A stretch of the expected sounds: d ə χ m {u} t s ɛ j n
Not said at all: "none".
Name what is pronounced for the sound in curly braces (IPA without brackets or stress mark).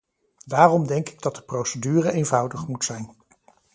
u